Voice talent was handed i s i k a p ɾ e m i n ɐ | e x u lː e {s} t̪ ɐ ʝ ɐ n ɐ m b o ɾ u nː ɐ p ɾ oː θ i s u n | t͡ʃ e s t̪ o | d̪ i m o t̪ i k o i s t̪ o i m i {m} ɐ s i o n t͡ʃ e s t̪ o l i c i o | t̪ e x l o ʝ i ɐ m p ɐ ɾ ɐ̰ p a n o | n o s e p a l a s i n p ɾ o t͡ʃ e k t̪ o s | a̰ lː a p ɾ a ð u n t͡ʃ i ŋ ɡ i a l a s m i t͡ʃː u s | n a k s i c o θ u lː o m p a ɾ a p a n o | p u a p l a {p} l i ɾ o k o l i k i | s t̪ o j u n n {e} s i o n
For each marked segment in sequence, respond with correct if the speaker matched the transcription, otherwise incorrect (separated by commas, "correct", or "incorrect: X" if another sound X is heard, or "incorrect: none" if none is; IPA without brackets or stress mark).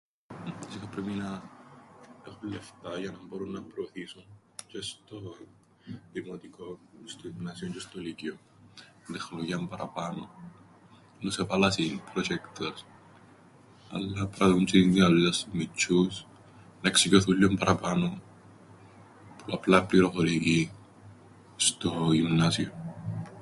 incorrect: f, incorrect: n, correct, incorrect: a